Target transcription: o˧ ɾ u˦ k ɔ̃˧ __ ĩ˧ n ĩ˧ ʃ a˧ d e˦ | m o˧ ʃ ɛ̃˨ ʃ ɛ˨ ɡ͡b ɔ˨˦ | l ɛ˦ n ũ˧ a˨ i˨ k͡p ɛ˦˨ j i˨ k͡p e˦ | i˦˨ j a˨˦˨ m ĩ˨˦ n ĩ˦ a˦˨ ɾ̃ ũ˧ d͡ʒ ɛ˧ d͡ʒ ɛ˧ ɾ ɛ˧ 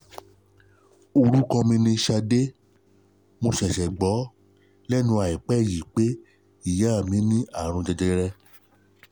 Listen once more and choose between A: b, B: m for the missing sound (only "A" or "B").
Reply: B